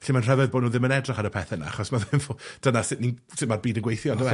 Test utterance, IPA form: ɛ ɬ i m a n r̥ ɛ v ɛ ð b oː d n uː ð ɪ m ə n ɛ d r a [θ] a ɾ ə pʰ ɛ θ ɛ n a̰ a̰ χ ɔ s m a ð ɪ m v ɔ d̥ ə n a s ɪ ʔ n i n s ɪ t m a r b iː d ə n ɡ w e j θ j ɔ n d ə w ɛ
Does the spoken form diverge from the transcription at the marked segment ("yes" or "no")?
yes